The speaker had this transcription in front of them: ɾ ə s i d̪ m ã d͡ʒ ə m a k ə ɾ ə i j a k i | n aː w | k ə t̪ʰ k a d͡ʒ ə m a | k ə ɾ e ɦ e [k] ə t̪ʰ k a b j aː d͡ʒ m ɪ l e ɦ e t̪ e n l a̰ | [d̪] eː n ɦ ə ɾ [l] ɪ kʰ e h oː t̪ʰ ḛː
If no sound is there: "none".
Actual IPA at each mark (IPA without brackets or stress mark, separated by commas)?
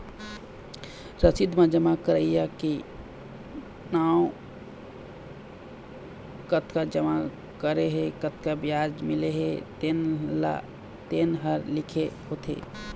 k, t̪, l